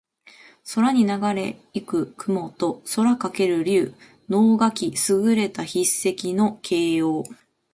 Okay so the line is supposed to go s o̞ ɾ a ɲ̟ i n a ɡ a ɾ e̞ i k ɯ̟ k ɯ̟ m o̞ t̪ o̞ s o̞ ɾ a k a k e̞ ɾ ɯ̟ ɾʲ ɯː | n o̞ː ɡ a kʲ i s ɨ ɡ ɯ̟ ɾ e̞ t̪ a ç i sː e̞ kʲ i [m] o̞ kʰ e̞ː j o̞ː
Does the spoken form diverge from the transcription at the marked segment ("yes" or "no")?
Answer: yes